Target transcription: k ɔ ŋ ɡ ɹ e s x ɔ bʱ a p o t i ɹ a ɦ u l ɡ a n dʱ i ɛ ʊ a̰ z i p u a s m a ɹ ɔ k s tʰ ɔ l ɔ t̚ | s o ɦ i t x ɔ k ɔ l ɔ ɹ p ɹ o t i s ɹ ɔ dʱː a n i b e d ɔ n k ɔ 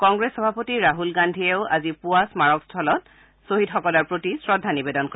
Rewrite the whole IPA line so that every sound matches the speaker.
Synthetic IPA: k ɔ ŋ ɡ ɹ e s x ɔ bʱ a p o t i ɹ a ɦ u l ɡ a n dʱ i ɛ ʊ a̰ z i p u a s m a ɹ ɔ k s tʰ ɔ l ɔ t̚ | s o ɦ i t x ɔ k ɔ l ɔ ɹ p ɹ o t i s ɹ ɔ dʱː a n i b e d ɔ n k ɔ